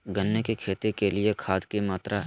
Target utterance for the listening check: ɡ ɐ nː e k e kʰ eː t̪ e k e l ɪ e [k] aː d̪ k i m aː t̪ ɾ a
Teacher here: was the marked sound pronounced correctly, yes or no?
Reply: no